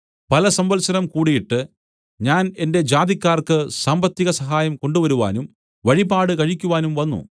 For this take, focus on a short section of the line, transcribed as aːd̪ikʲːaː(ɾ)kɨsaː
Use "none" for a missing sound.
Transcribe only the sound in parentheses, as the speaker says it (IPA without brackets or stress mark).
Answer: r